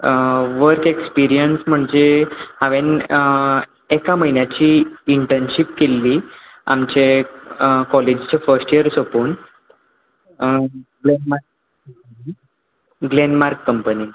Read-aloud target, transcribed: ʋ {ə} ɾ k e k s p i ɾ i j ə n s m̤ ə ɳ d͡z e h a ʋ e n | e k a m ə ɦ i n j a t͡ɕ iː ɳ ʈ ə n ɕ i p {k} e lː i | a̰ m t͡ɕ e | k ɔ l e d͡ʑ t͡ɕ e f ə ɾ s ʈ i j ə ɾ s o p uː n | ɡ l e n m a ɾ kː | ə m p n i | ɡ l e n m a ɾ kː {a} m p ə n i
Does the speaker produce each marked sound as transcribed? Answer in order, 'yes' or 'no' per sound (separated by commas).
yes, yes, no